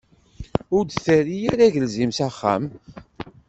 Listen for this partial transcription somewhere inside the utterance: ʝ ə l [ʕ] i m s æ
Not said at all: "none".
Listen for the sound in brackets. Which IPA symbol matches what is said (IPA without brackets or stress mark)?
z